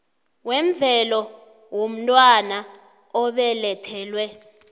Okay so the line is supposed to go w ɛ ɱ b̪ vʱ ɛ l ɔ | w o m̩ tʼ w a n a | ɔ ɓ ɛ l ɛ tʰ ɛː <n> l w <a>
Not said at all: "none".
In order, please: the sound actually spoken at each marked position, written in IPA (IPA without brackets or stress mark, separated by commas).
none, ɛ